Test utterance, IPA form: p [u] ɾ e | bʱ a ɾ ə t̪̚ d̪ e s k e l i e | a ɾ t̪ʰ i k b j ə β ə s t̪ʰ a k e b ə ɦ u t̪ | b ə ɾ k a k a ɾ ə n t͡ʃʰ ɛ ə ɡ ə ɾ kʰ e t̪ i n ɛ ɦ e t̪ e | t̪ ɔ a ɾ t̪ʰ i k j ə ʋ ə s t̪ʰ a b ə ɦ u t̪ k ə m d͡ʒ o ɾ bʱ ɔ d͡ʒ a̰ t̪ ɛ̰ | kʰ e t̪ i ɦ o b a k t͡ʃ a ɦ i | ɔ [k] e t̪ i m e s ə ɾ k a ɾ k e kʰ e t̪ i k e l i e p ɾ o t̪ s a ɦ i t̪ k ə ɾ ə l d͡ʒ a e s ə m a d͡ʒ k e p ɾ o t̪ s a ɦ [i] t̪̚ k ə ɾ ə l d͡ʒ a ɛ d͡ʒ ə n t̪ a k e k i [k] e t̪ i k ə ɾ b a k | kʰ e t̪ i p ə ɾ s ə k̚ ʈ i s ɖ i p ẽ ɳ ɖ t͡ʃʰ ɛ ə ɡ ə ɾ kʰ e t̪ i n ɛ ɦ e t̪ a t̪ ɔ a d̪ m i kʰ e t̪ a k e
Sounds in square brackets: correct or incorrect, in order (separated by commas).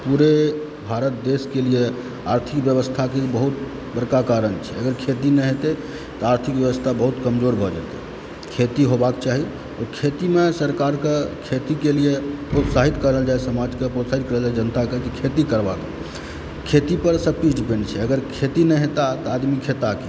correct, incorrect, correct, incorrect